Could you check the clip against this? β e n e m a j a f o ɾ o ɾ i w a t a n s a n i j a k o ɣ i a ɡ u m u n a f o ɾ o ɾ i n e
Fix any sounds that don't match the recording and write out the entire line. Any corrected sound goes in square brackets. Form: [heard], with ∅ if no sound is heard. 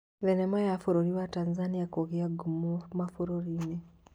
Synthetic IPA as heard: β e n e m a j a f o ɾ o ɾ i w a t a n [z] a n i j a k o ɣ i a ɡ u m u [m] a f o ɾ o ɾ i n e

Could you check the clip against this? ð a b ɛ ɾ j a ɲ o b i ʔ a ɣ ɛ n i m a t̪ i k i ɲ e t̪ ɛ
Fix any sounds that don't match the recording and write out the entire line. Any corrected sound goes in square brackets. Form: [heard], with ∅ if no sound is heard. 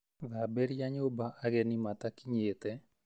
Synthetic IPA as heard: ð a b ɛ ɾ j a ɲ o b [a] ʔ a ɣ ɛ n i m a t̪ [a] k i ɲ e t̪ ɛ

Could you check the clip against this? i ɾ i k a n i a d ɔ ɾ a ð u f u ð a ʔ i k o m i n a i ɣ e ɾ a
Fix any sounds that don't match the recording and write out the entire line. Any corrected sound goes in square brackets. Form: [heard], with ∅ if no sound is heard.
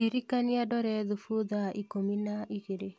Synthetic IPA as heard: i ɾ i k a n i a d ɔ ɾ [ɛ] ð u f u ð a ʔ i k o m i n a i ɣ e ɾ [e]

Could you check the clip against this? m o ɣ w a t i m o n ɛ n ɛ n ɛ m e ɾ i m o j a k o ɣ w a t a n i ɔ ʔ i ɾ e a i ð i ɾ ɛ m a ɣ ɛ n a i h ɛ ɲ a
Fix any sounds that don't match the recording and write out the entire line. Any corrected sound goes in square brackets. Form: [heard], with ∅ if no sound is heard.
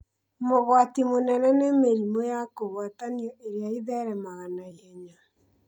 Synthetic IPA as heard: m o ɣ w a t i m o n ɛ n ɛ n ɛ m e ɾ i m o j a k o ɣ w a t a n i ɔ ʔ [e] ɾ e a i ð [ɛ] ɾ ɛ m a ɣ [a] n a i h ɛ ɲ a

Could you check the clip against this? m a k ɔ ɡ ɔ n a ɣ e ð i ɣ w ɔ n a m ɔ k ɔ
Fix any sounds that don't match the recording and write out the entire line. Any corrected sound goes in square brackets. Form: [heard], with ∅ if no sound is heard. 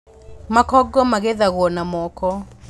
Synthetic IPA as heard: m a k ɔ ɡ ɔ [m] a ɣ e ð [a] ɣ w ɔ n a m ɔ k ɔ

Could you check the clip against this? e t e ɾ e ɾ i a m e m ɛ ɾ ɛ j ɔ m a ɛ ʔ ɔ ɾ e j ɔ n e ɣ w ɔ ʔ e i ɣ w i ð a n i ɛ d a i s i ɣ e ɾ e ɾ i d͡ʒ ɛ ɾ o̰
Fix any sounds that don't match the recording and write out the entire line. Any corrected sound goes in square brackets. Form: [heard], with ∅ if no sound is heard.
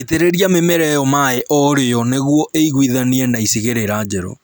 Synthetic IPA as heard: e t e ɾ e ɾ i a m e m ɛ ɾ ɛ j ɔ m a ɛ ʔ ɔ ɾ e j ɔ n e ɣ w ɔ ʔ e i ɣ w i ð a n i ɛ [n] a i s i ɣ e ɾ e ɾ [a] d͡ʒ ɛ ɾ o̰

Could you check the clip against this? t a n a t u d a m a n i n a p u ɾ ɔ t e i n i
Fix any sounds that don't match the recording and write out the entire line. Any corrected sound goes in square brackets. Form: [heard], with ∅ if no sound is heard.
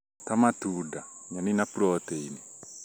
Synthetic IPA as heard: t a [m] a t u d a [ɲ] a n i n a p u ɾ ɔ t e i n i

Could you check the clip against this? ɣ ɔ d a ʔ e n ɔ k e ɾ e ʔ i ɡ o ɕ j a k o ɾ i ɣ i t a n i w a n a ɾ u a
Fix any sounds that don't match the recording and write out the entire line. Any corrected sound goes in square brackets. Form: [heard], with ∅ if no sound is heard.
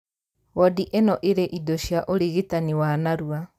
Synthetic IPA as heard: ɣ ɔ d [i] ʔ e n ɔ [ʔ] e ɾ e ʔ i [d] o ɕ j a [ʔ] o ɾ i ɣ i t a n i w a n a ɾ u a

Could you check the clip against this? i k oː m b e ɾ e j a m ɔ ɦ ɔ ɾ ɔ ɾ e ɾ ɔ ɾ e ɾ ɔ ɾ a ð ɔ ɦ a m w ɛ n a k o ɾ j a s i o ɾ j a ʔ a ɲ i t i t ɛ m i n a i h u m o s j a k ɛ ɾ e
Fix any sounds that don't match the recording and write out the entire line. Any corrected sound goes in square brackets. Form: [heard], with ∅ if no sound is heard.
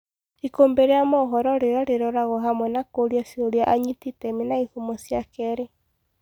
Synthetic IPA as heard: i k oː m b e ɾ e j a m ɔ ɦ ɔ ɾ ɔ ɾ e ɾ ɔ ɾ e ɾ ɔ ɾ a [ɣ] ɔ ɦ a m w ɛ n a k o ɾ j a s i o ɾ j a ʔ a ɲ i t i t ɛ m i n a i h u m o s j a k ɛ ɾ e

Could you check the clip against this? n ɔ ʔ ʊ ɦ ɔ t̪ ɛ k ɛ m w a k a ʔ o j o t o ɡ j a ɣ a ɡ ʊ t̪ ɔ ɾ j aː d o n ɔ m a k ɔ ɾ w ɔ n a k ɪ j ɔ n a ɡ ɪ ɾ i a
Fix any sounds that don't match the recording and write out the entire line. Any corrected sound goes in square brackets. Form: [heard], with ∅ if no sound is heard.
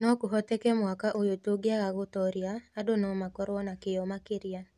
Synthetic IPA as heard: n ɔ [k] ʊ ɦ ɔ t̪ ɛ k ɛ m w a k a ʔ o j o t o ɡ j a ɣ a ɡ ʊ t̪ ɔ ɾ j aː d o n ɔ m a k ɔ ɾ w ɔ n a k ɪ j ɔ [m] a [k] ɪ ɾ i a

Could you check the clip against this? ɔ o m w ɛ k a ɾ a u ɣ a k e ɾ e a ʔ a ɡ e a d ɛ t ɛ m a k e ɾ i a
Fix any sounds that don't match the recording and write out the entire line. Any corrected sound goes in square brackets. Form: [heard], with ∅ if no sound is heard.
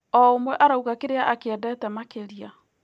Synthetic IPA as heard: ɔ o m w ɛ [ʔ] a ɾ a u ɣ a k e ɾ e a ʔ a [k] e [ɛ] d ɛ t ɛ m a k e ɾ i a

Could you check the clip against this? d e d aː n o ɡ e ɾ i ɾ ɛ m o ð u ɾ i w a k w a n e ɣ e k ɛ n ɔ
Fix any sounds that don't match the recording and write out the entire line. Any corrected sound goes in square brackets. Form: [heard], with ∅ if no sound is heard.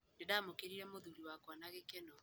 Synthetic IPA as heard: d e d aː [m] o [k] e ɾ i ɾ ɛ m o ð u ɾ i w a k w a n [a] ɣ e k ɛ n ɔ

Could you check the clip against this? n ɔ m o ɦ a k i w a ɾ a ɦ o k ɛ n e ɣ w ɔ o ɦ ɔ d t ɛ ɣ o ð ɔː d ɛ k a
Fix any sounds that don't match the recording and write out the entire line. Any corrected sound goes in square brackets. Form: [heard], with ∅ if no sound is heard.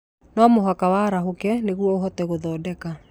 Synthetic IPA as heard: n ɔ m o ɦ a k [a] w a ɾ a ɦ o k ɛ n e ɣ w ɔ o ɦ ɔ [∅] t ɛ ɣ o ð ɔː d ɛ k a

